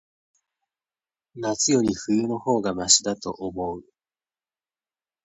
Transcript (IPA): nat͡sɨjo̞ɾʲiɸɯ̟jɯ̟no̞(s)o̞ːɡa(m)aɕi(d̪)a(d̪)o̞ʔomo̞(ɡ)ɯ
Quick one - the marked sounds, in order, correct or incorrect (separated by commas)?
incorrect, correct, correct, incorrect, incorrect